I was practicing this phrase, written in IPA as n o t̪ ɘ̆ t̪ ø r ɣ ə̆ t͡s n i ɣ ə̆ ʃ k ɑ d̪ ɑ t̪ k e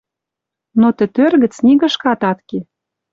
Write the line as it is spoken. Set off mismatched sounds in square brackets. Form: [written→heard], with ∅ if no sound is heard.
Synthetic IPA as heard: n o t̪ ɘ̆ t̪ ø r ɣ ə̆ t͡s n i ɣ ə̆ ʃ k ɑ [d̪→t̪] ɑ t̪ k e